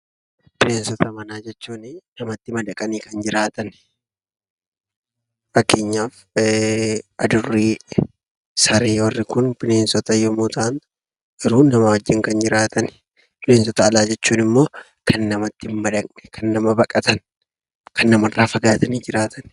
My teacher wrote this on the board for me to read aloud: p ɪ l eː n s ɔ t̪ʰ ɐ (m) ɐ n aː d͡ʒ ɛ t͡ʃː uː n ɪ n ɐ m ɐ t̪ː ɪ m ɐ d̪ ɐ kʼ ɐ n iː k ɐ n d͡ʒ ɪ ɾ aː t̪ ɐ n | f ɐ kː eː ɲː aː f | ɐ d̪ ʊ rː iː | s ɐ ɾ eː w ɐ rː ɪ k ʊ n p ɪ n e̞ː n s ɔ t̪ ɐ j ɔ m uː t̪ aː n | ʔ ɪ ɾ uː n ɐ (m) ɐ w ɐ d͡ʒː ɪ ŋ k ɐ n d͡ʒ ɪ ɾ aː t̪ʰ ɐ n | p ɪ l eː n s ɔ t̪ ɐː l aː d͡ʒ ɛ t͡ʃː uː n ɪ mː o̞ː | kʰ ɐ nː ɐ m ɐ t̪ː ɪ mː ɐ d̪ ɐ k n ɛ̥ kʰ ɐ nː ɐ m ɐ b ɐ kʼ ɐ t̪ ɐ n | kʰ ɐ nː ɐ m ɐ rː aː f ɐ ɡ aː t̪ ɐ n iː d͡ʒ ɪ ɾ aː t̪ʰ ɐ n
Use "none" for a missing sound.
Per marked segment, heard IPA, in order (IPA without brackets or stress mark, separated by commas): m, m